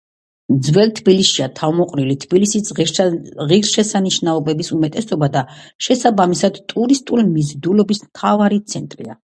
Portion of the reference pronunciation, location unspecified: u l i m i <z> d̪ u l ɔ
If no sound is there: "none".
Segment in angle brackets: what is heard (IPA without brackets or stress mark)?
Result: z